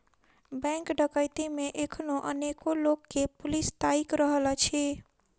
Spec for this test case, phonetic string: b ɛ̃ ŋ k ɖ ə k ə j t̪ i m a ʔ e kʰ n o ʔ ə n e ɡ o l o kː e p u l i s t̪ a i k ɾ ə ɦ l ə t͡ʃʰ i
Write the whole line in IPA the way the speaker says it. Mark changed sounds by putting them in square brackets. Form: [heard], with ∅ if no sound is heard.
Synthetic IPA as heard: b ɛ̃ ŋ k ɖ ə k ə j t̪ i m [e] ʔ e kʰ n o ʔ ə n e [k] o l o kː e p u l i s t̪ a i k ɾ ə ɦ l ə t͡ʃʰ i